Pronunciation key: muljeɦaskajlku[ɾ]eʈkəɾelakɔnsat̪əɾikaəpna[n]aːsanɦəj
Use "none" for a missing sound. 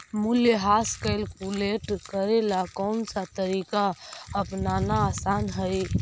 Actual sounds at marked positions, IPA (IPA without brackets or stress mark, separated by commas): l, n